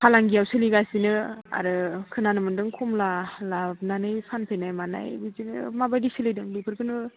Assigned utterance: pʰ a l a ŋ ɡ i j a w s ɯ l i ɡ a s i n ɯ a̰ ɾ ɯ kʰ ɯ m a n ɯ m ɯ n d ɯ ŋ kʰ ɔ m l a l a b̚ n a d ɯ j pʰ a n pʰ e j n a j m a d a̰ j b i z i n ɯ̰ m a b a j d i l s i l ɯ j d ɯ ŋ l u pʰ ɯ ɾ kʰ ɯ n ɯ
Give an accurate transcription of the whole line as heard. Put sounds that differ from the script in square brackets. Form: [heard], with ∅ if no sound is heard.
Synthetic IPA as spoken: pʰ a l a ŋ ɡ i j a w s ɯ l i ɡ a s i n ɯ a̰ ɾ ɯ kʰ ɯ [n] a n ɯ m ɯ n d ɯ ŋ kʰ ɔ m l a l a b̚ n a [n] ɯ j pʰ a n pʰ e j n a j m a [n] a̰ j b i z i n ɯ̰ m a b a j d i [∅] s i l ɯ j d ɯ ŋ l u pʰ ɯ ɾ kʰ ɯ n ɯ

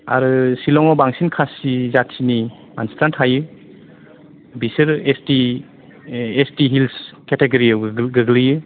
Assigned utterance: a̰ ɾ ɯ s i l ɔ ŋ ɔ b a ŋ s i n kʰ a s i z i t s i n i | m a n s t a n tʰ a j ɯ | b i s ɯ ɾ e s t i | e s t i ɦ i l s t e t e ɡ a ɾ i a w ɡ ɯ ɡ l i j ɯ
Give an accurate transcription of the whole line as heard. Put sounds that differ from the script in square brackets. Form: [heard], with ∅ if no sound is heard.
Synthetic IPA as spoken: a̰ ɾ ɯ s i l ɔ ŋ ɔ b a ŋ s i n kʰ a s i z [a] t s i n i | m a n s t a n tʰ a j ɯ | b i s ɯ ɾ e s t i | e s t i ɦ i l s [k] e t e ɡ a ɾ i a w ɡ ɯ ɡ l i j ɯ

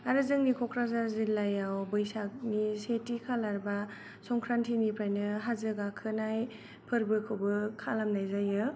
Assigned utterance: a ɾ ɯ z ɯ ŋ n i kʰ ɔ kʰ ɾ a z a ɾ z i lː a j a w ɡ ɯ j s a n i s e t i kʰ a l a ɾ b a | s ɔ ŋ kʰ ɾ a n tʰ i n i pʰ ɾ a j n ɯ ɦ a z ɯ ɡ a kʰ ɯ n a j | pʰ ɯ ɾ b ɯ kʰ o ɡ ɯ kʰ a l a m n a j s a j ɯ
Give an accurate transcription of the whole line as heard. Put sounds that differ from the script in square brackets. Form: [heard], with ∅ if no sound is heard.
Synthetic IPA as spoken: a ɾ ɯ z ɯ ŋ n i kʰ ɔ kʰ ɾ a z a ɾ z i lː a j a w [b] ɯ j s a n i s e t i kʰ a l a ɾ b a | s ɔ ŋ kʰ ɾ a n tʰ i n i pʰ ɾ a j n ɯ ɦ a z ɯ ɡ a kʰ ɯ n a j | pʰ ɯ ɾ b ɯ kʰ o [b] ɯ kʰ a l a m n a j [z] a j ɯ

